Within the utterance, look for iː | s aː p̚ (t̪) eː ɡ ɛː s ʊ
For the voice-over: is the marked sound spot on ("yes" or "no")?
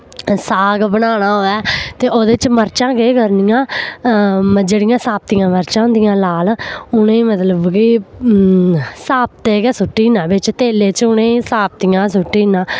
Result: yes